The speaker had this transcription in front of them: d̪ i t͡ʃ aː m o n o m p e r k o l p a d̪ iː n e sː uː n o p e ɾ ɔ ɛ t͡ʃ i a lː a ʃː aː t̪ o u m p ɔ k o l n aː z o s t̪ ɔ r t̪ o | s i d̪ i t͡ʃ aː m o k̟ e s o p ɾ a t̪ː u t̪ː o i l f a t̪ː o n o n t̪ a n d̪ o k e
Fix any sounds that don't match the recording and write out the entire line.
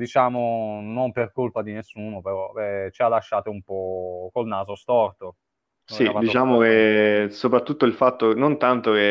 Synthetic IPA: d̪ i t͡ʃ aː m o n o m p e r k o l p a d̪ i n e sː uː n o p e ɾ ɔ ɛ t͡ʃ i a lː a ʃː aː t̪ o u m p ɔ k o l n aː z o s t̪ ɔ r t̪ o | s i d̪ i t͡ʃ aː m o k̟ e s o p ɾ a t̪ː u t̪ː o i l f a t̪ː o n o n t̪ a n t̪ o k e